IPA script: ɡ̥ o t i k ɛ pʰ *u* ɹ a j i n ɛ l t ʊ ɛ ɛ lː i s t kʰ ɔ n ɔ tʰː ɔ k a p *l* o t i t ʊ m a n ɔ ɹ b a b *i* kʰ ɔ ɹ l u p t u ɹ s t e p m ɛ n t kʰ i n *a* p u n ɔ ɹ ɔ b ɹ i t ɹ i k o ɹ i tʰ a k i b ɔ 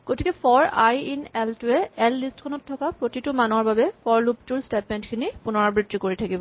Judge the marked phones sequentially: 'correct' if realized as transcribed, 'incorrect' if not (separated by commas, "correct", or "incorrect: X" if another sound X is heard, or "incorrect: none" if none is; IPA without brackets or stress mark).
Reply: incorrect: ɔ, incorrect: ɹ, incorrect: ɛ, incorrect: i